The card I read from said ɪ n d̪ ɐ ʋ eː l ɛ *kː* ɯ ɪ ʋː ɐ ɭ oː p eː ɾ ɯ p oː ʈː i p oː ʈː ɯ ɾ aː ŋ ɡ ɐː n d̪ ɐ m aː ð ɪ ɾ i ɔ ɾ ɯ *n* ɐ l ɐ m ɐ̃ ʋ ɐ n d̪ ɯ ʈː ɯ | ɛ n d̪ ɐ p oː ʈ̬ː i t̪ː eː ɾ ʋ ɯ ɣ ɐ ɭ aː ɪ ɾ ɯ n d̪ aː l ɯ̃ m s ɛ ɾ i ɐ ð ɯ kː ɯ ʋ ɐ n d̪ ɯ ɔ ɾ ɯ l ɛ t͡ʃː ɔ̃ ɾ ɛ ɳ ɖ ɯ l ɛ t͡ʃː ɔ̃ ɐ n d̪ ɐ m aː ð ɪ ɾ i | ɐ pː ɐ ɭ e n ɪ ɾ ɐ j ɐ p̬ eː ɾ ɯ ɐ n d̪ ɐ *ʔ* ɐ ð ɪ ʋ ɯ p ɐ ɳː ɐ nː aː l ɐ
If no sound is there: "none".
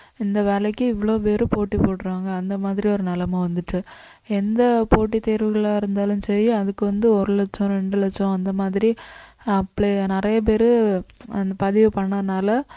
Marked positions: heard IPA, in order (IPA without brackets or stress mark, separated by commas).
kː, n, p